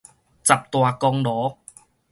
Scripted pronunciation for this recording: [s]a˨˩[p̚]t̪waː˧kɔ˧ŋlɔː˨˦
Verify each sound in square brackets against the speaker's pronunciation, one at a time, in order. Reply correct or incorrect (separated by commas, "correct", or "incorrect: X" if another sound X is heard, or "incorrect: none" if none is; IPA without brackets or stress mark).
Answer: incorrect: t͡s, correct